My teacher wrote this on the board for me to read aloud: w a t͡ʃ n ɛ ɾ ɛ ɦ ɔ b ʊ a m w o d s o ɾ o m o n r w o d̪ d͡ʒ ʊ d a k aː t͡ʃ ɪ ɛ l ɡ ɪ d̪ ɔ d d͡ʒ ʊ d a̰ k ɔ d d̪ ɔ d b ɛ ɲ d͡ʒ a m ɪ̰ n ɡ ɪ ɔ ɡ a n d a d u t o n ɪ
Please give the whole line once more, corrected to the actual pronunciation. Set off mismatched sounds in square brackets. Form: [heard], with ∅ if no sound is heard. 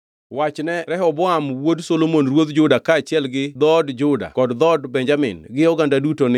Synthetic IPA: w a t͡ʃ n ɛ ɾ ɛ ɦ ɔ b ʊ a m w o d s o [l] o m o n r w o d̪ d͡ʒ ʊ d a k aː t͡ʃ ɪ ɛ l ɡ ɪ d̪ ɔ d d͡ʒ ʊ d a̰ k ɔ d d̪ ɔ d b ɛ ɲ d͡ʒ a m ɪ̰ n ɡ ɪ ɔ ɡ a n d a d u t o n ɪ